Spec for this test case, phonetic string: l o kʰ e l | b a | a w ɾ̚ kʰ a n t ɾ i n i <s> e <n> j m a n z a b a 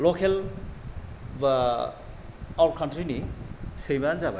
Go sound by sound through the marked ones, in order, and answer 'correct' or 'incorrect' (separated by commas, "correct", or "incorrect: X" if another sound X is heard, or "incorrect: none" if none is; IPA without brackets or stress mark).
correct, incorrect: none